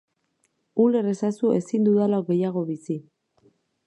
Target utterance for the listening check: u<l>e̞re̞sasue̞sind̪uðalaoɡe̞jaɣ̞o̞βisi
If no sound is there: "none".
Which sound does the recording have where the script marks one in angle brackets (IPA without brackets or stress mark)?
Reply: l